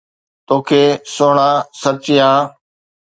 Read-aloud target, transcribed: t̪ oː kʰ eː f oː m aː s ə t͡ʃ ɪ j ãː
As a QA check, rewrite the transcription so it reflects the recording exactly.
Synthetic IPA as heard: t̪ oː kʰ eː s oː ɳ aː s ə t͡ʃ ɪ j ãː

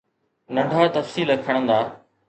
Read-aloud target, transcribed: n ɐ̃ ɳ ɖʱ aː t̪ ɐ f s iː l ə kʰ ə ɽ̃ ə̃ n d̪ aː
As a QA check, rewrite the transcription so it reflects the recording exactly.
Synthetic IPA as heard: n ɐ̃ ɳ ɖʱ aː t̪ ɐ f s iː l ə kʰ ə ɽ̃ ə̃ n d̪ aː

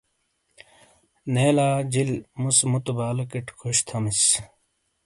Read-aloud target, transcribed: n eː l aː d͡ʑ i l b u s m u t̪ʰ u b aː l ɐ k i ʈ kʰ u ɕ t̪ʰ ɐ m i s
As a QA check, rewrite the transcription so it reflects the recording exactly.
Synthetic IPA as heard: n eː l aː d͡ʑ i l m u s m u t̪ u b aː l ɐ k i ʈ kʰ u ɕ t̪ʰ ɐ m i s

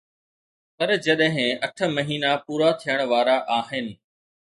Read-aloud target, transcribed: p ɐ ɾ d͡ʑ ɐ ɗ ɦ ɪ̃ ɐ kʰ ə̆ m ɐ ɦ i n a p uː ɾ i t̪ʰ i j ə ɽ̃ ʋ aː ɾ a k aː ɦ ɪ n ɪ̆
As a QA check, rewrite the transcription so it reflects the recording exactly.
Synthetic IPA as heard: p ɐ ɾ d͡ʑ ɐ ɗ ɦ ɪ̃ ɐ ʈʰ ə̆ m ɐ ɦ iː n a p uː ɾ a t̪ʰ i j ə ɽ̃ ʋ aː ɾ a ʔ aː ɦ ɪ n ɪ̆

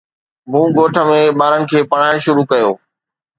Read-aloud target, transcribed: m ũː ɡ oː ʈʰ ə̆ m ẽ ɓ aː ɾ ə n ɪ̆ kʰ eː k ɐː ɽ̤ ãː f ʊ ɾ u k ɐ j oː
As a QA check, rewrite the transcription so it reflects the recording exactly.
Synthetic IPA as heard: m ũː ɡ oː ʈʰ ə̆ m ẽ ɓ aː ɾ ə n ɪ̆ kʰ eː p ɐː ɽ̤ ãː ʃ ʊ ɾ u k ɐ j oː

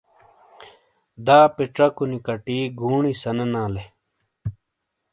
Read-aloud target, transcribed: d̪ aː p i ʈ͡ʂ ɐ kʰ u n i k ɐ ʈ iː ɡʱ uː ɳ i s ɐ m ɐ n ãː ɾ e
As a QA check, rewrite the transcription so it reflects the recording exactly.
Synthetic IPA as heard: d̪ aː p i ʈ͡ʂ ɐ k u n i k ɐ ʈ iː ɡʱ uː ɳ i s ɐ n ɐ n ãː l e

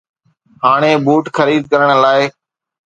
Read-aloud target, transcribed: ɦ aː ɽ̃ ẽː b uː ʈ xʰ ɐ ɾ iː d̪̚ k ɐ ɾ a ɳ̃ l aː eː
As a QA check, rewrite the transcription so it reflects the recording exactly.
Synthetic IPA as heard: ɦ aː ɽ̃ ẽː b uː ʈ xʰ ə ɾ iː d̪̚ k ə ɾ ə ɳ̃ l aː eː

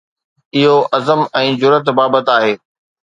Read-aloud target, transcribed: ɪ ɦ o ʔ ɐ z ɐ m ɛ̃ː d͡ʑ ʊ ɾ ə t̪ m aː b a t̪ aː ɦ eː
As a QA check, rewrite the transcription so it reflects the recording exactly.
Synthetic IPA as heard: ɪ ɦ o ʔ ɐ z ə m ɛ̃ː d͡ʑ ʊ ɾ ə t̪ b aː b ə t̪ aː ɦ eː

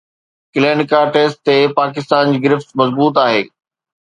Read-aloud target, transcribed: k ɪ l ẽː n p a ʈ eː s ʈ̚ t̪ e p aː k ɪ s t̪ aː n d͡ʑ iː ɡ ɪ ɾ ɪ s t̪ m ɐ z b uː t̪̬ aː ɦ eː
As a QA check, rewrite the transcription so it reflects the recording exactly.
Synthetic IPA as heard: k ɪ l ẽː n k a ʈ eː s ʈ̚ t̪ e p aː k ɪ s t̪ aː n d͡ʑ iː ɡ ɪ ɾ ɪ f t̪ m ɐ z b uː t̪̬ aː ɦ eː

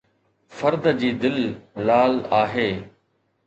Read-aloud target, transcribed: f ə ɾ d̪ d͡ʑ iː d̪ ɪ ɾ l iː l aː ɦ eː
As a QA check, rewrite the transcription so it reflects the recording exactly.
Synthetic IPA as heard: f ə ɾ d̪ d͡ʑ iː d̪ ɪ l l aː l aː ɦ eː

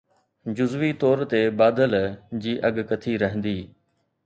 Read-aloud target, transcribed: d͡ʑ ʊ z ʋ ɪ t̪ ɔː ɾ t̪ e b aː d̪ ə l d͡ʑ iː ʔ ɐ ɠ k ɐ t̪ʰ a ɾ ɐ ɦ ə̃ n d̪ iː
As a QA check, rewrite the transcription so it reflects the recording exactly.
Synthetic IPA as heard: d͡ʑ ʊ z ʋ i t̪ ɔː ɾ t̪ e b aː d̪ ə l d͡ʑ iː ʔ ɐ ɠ k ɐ t̪ʰ i ɾ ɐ ɦ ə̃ n d̪ iː

